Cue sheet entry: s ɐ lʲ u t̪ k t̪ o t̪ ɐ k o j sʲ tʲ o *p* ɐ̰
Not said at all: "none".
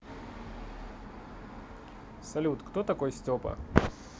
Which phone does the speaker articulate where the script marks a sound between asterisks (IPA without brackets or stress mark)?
p